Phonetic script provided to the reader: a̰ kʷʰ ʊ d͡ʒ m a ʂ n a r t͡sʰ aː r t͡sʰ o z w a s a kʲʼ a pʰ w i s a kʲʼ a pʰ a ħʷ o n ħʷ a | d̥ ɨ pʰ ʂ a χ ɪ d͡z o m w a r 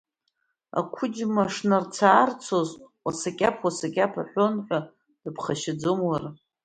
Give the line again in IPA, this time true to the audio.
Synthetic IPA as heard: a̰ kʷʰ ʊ d͡ʒ m a ʂ n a r t͡sʰ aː r t͡sʰ o z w a s a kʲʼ a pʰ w a s a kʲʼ a pʰ a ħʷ o n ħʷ a | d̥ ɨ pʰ χ a ʃ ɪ d͡z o m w a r